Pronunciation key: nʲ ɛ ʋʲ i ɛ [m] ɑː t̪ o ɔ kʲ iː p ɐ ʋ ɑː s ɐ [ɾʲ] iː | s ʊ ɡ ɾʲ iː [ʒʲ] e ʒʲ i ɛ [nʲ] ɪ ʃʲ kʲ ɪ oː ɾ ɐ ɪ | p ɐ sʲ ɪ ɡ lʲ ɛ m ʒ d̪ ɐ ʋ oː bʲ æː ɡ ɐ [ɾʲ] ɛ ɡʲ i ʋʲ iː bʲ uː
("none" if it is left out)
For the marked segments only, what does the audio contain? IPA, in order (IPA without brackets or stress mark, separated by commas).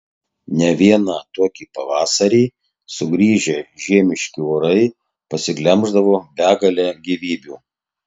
n, ɾʲ, ʒʲ, mʲ, lʲ